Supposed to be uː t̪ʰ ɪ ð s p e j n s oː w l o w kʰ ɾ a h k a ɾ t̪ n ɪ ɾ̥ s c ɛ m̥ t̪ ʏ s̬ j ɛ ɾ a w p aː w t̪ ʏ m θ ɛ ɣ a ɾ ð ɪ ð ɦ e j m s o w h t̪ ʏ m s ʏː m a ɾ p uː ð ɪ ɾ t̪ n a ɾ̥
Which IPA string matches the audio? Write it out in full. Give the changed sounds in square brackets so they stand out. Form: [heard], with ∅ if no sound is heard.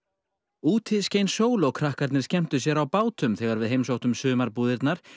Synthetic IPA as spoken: uː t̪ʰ ɪ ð s [c] e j n s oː w l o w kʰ ɾ a h k a ɾ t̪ n ɪ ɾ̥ s c ɛ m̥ t̪ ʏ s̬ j ɛ ɾ a w p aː w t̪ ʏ m θ ɛ ɣ a ɾ [v] ɪ ð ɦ e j m s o w h t̪ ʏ m s ʏː m a ɾ p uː ð ɪ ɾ t̪ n a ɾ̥